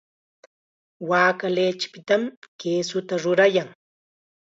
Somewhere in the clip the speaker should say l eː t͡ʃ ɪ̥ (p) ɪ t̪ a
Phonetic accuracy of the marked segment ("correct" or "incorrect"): correct